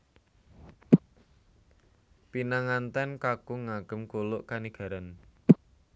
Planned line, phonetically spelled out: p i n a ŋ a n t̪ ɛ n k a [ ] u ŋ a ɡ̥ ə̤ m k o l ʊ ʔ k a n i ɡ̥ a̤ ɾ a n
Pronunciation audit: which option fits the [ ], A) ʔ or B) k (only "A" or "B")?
B